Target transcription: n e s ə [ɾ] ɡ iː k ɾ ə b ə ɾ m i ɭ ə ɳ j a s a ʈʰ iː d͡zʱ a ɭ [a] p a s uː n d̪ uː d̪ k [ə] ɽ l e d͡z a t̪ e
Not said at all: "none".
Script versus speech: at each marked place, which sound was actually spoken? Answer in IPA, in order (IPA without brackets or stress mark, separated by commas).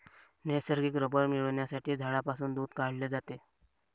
ɾ, a, a